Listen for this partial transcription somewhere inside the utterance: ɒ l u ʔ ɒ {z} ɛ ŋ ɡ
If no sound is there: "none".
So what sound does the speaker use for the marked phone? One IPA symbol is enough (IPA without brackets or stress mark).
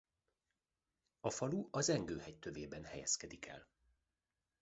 z